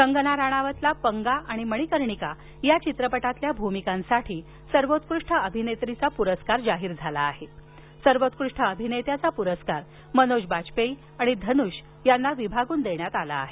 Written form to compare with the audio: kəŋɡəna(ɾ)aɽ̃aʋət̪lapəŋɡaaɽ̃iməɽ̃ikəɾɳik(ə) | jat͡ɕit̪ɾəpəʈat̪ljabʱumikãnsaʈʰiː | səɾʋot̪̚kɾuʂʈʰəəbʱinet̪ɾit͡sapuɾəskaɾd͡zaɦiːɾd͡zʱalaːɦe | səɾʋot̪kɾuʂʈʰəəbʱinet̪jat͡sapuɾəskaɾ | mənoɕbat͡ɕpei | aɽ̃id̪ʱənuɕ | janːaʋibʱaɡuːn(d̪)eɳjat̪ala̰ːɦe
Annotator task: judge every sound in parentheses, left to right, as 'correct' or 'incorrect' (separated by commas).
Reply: correct, incorrect, correct